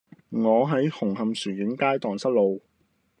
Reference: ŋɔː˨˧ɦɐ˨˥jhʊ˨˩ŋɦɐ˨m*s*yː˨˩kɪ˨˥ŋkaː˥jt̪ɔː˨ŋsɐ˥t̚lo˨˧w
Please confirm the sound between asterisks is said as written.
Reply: yes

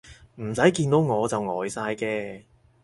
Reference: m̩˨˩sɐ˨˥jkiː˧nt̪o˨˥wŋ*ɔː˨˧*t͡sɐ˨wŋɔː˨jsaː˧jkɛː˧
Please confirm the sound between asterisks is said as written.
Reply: yes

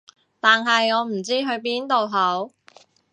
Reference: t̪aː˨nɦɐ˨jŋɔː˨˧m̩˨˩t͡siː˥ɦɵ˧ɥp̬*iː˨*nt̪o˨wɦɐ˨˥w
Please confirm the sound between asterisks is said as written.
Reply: no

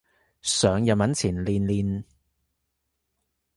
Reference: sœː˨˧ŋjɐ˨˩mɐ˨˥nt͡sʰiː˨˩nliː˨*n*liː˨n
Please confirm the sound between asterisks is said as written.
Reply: yes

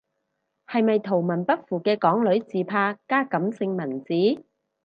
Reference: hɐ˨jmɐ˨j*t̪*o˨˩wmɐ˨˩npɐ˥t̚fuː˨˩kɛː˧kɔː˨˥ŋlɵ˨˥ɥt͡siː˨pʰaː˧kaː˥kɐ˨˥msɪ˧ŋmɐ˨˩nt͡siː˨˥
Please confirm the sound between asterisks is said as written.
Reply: no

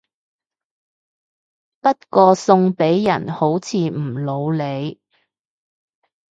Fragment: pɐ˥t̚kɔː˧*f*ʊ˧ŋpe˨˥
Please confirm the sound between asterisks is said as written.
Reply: no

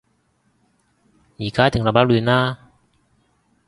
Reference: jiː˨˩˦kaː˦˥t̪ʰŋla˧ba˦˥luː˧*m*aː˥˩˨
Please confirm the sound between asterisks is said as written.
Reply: no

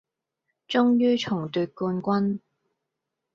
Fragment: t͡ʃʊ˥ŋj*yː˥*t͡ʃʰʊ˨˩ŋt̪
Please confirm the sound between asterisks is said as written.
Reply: yes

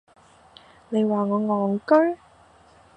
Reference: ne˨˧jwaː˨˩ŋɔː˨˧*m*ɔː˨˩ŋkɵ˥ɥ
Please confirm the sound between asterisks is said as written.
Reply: no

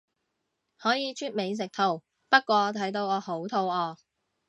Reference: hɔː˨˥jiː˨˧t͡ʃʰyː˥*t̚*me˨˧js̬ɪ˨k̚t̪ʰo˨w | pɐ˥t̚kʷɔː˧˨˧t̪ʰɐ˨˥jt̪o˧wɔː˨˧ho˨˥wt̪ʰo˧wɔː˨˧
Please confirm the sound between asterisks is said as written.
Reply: yes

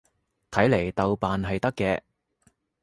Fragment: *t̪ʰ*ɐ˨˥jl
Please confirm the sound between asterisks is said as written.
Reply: yes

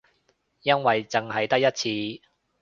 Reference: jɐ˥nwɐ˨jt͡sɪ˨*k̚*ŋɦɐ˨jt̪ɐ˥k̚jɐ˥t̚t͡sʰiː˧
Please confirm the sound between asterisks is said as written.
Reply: no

